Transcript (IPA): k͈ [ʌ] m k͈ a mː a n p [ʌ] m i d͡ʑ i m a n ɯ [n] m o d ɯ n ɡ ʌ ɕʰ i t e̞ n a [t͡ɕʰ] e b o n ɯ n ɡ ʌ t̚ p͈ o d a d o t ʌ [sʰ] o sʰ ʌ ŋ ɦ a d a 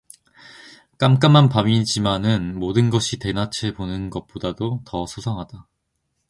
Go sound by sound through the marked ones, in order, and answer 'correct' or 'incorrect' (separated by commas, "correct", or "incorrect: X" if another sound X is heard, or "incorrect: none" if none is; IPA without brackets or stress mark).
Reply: incorrect: a, incorrect: a, correct, correct, correct